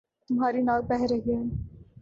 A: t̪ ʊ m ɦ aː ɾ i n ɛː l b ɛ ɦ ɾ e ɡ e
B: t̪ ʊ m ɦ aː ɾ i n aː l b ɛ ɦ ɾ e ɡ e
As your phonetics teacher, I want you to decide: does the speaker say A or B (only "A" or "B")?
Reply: B